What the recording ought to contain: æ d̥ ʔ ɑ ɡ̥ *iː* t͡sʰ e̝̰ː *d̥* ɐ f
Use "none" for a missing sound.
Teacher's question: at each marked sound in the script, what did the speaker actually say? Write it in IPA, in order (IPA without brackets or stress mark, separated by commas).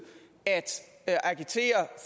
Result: i, none